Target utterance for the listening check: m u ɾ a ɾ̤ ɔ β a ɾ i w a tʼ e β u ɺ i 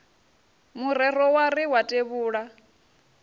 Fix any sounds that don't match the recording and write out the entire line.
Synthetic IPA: m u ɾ ɛ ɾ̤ ɔ w a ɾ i w a tʼ e β uː ɺ a